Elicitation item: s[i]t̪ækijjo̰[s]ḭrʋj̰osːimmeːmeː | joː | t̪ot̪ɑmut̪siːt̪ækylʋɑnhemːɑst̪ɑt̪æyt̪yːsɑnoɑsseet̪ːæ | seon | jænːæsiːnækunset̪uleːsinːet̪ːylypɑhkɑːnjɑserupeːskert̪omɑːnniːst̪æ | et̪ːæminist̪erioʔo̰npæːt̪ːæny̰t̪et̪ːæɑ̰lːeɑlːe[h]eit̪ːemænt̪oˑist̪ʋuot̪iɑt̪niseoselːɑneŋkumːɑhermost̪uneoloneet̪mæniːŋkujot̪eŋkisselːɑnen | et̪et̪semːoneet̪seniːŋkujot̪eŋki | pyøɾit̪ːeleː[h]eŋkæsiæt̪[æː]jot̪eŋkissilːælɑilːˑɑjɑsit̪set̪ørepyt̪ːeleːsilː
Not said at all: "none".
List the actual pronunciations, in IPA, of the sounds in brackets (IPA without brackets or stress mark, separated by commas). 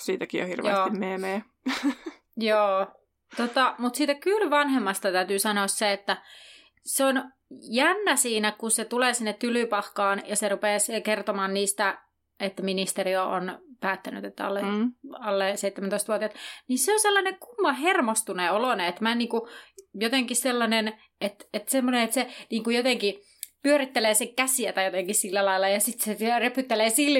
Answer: iː, h, s, s, æ